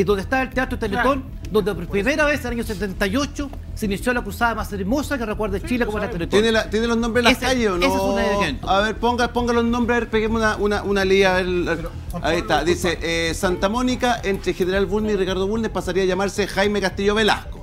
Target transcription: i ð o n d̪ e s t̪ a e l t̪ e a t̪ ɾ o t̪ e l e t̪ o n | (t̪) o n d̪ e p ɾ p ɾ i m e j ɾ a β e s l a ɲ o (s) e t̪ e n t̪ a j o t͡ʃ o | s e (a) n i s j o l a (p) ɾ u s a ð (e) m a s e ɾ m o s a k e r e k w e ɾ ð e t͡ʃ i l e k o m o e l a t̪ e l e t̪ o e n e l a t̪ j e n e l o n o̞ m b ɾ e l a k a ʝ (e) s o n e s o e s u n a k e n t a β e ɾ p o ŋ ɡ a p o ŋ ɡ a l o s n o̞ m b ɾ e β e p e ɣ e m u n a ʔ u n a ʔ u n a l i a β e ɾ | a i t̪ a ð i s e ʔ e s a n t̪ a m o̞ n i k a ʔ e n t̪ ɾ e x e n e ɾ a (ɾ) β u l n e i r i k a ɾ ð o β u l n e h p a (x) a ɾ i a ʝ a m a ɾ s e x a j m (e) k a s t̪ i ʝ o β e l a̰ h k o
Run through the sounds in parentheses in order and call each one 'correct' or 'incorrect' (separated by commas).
incorrect, correct, incorrect, incorrect, incorrect, correct, incorrect, incorrect, correct